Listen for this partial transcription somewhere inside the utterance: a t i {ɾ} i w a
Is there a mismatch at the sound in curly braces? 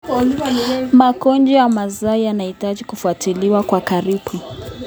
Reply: yes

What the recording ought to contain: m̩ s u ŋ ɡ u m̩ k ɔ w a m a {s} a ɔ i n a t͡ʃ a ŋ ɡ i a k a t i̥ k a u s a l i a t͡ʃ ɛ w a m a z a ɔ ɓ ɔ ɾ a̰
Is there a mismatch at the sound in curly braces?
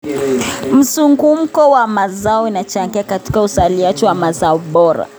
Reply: yes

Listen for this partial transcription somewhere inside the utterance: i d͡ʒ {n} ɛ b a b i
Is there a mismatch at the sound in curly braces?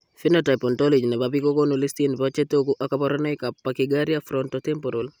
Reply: no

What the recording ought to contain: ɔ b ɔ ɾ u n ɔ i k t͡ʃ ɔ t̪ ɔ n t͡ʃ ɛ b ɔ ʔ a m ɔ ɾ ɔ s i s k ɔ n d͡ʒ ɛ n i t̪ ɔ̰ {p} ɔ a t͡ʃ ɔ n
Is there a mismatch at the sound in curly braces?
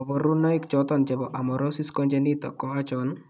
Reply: yes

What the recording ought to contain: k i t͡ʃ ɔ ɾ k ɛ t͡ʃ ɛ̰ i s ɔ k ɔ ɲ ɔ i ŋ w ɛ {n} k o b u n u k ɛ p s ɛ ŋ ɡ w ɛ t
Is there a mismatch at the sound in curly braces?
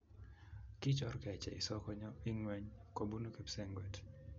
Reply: yes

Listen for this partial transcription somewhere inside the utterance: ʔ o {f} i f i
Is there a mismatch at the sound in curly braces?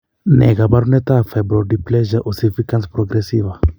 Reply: yes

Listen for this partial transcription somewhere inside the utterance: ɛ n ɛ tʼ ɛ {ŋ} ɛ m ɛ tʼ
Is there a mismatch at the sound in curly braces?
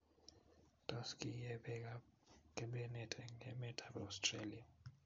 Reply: no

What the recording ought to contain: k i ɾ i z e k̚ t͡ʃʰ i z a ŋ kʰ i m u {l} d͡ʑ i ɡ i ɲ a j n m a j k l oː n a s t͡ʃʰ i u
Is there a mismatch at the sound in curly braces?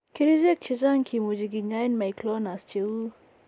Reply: yes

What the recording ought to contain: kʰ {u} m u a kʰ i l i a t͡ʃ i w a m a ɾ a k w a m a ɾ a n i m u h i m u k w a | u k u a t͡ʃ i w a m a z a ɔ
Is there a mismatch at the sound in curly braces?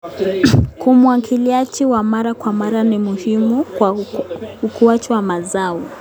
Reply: no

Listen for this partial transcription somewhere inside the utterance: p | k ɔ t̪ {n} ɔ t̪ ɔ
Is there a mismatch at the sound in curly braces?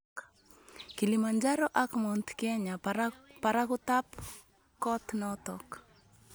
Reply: no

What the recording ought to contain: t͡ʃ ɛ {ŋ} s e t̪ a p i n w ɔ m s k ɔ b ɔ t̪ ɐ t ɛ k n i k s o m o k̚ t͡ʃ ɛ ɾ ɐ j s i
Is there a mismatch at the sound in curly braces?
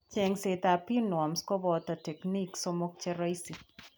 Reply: no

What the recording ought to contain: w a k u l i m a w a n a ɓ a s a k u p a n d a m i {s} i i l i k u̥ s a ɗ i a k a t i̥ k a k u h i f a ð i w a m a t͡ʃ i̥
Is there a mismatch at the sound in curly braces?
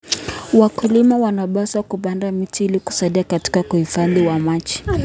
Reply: yes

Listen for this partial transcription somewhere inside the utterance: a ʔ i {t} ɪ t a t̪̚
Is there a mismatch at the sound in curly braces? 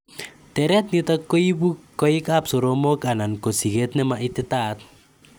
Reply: no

